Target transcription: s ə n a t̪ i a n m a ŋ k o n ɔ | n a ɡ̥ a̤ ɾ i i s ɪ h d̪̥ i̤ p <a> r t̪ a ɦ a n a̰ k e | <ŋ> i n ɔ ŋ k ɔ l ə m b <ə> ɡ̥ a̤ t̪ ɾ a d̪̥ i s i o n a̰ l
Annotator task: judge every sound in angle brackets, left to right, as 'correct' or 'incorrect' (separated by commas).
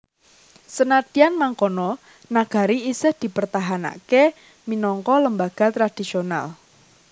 incorrect, incorrect, incorrect